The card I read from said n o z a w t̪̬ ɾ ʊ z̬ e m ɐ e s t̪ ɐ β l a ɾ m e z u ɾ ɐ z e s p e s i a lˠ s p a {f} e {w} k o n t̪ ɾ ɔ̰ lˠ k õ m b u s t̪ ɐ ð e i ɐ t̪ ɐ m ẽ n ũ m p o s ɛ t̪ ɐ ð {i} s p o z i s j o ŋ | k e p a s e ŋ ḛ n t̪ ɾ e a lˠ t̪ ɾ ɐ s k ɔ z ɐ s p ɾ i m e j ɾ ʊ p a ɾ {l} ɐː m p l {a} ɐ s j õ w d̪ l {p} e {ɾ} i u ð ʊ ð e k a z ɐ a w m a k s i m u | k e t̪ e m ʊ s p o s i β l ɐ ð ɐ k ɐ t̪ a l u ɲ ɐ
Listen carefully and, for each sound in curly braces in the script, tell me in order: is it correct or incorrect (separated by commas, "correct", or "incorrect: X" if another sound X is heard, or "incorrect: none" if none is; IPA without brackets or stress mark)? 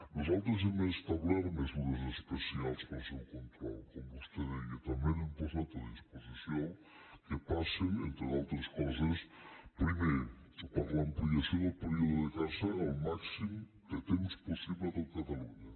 incorrect: s, correct, correct, correct, incorrect: i, correct, correct